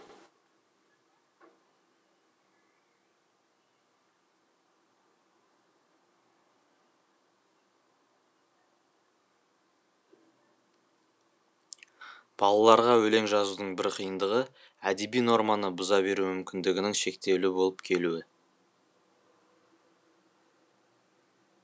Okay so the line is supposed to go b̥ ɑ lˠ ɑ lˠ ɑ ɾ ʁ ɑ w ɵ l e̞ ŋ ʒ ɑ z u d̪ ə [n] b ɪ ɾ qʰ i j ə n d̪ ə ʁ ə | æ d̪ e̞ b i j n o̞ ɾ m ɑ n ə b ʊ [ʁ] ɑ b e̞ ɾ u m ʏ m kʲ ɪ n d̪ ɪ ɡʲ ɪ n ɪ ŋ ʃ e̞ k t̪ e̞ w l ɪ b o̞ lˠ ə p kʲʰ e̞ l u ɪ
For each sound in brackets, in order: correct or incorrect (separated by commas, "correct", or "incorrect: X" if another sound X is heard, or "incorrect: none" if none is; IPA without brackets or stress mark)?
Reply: incorrect: ɴ, incorrect: z